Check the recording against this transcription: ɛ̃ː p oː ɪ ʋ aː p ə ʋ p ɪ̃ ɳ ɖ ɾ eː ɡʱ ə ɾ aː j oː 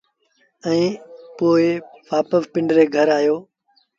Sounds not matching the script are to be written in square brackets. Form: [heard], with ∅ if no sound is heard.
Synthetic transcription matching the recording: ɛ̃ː p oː ɪ ʋ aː p ə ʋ p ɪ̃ ɳ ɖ ɾ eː ɡʱ ə ɾ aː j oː